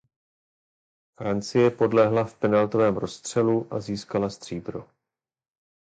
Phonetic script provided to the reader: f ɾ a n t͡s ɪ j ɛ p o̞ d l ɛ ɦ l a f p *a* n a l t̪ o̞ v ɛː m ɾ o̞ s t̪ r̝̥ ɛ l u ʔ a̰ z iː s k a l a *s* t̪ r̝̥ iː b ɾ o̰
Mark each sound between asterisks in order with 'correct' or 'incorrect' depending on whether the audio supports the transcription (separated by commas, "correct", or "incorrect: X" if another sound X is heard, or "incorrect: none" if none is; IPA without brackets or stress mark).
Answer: incorrect: ɛ, correct